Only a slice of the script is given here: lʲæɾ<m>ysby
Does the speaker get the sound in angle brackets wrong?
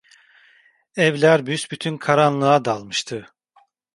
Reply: yes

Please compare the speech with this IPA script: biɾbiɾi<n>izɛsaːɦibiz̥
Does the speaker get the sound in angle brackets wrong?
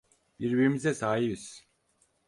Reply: yes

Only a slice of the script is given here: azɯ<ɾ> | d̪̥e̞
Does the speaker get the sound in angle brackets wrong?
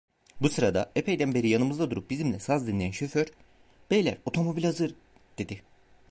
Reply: no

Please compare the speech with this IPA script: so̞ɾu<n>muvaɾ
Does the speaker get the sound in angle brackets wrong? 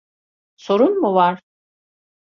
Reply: no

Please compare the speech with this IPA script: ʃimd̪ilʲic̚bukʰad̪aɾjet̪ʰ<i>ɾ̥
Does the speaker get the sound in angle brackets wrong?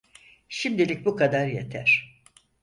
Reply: yes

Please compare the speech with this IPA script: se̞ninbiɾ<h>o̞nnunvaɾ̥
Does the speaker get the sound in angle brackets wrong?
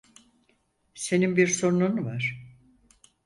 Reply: yes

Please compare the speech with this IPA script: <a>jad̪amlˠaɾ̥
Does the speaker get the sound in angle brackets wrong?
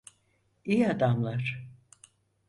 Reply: yes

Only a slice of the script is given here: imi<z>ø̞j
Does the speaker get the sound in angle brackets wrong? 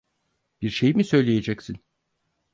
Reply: yes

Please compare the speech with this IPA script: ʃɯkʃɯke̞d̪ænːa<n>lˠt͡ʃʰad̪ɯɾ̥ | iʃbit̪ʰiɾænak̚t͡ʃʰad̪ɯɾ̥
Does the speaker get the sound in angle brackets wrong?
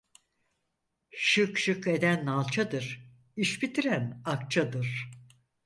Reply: yes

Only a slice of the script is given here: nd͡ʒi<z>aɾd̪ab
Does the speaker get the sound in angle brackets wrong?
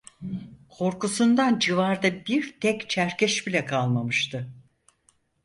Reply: yes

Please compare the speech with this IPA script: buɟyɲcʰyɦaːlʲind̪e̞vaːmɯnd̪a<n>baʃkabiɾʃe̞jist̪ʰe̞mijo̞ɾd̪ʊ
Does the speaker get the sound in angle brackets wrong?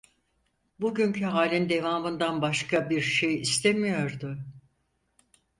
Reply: no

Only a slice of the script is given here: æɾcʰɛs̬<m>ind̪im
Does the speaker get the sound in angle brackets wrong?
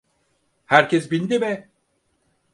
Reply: yes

